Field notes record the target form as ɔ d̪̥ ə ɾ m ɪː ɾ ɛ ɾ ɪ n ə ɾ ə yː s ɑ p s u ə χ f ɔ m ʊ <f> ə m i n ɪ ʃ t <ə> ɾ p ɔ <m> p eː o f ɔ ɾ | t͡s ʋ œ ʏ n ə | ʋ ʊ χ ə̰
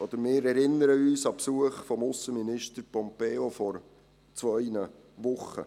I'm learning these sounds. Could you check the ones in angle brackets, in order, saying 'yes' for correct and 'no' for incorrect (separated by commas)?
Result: no, yes, yes